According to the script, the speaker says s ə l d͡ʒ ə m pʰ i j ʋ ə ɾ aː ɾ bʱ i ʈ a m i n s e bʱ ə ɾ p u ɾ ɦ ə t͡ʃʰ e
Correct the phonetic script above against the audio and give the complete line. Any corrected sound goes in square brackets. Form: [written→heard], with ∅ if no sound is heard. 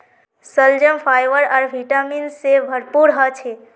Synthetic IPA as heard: s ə l d͡ʒ ə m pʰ [i→a] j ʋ ə ɾ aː ɾ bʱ i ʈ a m i n s e bʱ ə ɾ p u ɾ ɦ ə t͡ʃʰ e